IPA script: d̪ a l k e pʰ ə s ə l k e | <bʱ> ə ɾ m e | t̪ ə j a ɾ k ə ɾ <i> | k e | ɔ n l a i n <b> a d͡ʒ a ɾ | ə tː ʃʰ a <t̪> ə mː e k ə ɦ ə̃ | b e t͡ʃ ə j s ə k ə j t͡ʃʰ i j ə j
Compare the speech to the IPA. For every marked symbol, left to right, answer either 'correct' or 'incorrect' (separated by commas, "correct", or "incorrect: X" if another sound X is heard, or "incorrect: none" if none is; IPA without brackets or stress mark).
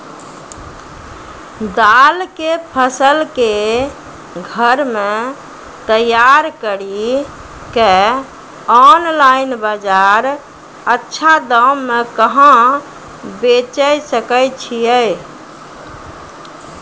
incorrect: ɡʱ, correct, correct, incorrect: d̪